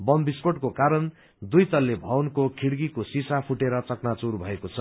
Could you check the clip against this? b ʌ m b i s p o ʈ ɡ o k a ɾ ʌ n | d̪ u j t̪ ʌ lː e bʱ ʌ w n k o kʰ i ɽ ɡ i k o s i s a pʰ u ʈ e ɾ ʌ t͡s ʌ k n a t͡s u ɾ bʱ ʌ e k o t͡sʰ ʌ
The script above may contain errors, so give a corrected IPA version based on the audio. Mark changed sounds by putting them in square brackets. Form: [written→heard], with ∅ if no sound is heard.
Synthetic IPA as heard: b ʌ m b i s p o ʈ [ɡ→k] o k a ɾ ʌ n | d̪ u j t̪ ʌ lː e bʱ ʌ w n k o kʰ i ɽ ɡ i k o s i s a pʰ u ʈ e ɾ ʌ t͡s ʌ k n a t͡s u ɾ bʱ ʌ e k o t͡sʰ ʌ